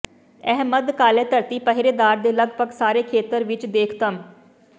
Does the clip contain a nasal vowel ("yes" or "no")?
no